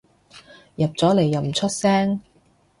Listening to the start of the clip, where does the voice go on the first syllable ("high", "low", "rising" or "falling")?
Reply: low